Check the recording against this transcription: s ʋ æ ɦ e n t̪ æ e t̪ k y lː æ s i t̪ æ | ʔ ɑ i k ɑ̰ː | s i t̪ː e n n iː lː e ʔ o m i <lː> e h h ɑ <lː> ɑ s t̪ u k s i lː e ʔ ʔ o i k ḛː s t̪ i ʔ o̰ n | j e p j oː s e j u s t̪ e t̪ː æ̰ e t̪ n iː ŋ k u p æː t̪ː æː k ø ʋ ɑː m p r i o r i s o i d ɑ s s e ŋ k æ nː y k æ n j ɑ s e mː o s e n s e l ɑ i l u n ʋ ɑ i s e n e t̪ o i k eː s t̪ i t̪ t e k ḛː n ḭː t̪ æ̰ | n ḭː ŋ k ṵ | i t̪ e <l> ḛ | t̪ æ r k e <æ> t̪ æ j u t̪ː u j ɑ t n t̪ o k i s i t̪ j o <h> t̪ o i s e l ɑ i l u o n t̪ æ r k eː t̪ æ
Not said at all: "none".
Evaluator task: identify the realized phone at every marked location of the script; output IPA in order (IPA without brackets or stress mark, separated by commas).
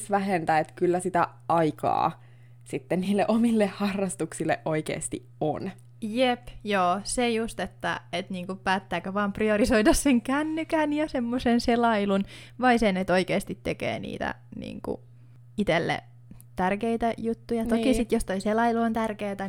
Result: lː, rː, lː, i, s